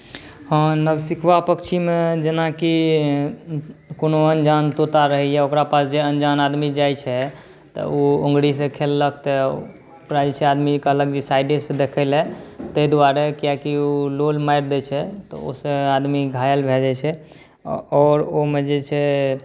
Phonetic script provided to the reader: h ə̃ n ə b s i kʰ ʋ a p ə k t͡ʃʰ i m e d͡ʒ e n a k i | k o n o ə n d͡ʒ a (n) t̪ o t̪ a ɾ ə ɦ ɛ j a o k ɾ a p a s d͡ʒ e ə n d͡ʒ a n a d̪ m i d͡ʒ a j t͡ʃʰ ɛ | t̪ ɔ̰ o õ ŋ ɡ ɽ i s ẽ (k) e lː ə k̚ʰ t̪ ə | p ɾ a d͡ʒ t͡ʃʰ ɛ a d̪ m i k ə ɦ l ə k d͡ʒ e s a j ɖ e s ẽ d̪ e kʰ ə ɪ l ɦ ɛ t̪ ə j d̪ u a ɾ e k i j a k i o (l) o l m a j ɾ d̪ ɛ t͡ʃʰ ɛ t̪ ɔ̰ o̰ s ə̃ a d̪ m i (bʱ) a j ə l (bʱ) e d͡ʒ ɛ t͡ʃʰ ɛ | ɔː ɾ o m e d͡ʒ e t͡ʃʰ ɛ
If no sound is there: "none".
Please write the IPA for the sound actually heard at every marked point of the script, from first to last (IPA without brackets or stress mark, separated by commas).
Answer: n, kʰ, l, ɡʱ, bʱ